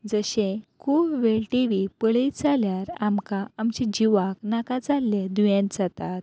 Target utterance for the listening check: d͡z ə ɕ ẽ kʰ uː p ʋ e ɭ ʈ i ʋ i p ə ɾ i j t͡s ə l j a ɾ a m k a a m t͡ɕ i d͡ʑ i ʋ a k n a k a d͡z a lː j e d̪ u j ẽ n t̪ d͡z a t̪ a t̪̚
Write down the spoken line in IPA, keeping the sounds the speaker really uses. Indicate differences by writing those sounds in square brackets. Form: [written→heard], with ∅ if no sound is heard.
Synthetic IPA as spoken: d͡z ə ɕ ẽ kʰ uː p ʋ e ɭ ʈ i ʋ i p ə [ɾ→ɭ] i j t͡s [ə→a] l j a ɾ a m k a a m t͡ɕ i d͡ʑ i ʋ a k n a k a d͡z a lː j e d̪ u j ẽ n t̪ d͡z a t̪ a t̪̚

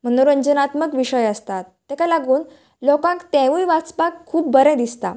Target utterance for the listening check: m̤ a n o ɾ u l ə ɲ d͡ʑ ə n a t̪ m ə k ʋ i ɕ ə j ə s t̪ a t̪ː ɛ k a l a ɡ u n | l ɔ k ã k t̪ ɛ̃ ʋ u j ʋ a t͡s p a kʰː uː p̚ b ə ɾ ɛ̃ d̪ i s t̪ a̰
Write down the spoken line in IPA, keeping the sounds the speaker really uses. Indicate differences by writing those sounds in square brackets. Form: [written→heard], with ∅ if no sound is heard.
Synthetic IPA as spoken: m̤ [a→ə] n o ɾ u [l→∅] ə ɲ d͡ʑ ə n a t̪ m ə k ʋ i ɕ ə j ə s t̪ a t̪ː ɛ k a l a ɡ [u→uː] n | l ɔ k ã k t̪ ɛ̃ ʋ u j ʋ a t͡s p a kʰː uː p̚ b ə ɾ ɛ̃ d̪ i s t̪ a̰

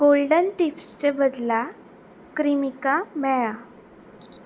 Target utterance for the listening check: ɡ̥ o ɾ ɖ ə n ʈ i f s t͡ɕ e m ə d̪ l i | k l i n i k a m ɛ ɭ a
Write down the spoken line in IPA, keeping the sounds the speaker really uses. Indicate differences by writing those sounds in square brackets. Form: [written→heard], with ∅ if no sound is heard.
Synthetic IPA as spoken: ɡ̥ o [ɾ→l] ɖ ə n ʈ i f s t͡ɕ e [m→b] ə d̪ l [i→a] | k [l→ɾ] i [n→m] i k a m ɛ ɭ a

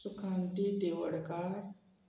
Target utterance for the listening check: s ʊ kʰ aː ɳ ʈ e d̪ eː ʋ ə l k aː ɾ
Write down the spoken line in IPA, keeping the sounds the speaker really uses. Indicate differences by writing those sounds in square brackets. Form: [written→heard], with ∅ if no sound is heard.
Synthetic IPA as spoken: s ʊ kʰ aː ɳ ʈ [e→i] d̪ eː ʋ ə [l→ɽ] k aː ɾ

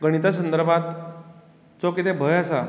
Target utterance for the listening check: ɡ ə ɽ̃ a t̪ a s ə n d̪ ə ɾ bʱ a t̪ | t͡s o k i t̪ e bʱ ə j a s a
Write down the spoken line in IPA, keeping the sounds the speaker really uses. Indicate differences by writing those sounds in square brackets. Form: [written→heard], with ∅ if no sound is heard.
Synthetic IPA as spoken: ɡ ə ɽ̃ [a→i] t̪ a s ə n d̪ ə ɾ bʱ a t̪ | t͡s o k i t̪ e bʱ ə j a s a

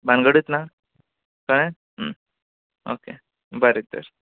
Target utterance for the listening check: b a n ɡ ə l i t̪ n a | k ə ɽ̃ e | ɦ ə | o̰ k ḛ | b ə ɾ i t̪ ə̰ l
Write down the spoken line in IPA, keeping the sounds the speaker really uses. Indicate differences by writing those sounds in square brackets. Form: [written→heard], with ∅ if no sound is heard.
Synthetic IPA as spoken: b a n ɡ ə [l→ɽ] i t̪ n a | k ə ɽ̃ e | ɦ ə | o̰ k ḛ | b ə ɾ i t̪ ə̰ [l→ɾ]

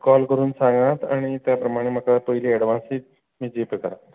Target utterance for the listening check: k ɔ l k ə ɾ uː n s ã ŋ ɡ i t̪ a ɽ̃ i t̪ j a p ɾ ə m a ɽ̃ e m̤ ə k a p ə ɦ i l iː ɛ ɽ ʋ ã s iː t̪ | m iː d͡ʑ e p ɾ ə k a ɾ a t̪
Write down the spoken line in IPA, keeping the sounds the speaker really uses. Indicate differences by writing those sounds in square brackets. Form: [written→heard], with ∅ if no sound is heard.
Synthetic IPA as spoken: k ɔ l k ə ɾ uː n s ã ŋ ɡ [i→a] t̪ a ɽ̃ i t̪ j a p ɾ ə m a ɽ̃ e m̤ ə k a p ə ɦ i l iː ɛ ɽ ʋ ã s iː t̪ | m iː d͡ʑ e p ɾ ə k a ɾ a t̪

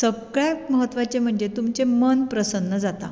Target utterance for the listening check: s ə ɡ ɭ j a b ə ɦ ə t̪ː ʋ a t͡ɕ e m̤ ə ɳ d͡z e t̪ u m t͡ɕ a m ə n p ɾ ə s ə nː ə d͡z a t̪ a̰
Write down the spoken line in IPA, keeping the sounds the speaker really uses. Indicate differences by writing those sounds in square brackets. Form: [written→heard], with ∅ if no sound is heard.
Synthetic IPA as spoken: s ə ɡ ɭ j a [b→m] ə ɦ ə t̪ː ʋ a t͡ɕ e m̤ ə ɳ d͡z e t̪ u m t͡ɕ [a→e] m ə n p ɾ ə s ə nː ə d͡z a t̪ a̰

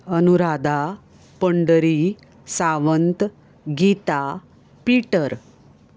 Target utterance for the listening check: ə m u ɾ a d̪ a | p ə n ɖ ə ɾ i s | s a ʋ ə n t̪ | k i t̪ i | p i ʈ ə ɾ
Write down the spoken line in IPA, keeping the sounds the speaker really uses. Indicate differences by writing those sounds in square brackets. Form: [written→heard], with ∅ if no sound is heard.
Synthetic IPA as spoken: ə [m→n] u ɾ a d̪ a | p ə [n→ɳ] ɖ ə ɾ i [s→∅] | s a ʋ ə n t̪ | [k→ɡ] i t̪ [i→a] | p i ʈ ə ɾ

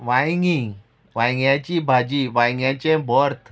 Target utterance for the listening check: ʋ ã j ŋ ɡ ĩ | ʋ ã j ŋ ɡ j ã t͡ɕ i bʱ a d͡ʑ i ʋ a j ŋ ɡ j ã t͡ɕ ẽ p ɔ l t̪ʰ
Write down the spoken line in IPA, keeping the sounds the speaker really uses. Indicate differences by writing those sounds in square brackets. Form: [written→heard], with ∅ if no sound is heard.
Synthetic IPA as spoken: ʋ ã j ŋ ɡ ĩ | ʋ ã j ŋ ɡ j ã t͡ɕ i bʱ a d͡ʑ i ʋ a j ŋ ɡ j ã t͡ɕ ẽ [p→b] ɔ [l→ɾ] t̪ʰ

